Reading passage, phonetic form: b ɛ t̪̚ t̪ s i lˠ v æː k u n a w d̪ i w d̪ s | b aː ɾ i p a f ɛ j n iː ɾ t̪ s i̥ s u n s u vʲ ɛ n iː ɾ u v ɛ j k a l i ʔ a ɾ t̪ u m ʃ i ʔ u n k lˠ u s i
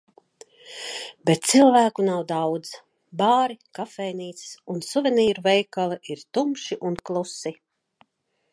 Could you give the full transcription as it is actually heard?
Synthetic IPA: b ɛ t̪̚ t̪ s i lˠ v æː k u n a w d̪ a w d̪ z | b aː ɾ i k a f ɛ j n iː t̪ s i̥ s u n s u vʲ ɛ n iː ɾ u v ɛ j k a l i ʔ i ɾ t̪ u m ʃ i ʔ u n k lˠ u s i